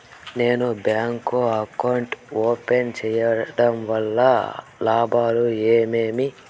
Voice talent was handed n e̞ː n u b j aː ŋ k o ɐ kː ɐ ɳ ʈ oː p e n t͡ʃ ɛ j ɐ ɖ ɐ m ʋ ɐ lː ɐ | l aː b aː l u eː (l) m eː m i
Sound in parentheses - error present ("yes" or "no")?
yes